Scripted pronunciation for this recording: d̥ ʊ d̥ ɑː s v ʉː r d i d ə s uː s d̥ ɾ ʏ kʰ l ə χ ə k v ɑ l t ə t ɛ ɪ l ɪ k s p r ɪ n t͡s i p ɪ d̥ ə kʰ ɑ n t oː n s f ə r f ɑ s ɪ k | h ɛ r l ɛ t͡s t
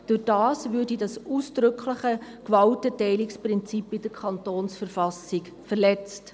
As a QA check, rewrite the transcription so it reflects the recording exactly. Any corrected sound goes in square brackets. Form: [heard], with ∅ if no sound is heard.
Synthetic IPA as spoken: d̥ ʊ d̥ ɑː s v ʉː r d i d [ɑ] s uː s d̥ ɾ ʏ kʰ l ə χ ə k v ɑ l t ə t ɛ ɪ l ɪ k s p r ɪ n t͡s i p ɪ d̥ ə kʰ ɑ n t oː n s f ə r f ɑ s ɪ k | [f] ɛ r l ɛ t͡s t